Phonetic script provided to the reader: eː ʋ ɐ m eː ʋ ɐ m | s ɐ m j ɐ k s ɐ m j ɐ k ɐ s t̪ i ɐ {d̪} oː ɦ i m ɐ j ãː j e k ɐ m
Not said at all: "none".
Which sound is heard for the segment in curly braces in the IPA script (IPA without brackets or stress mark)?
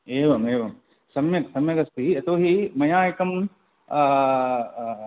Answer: t̪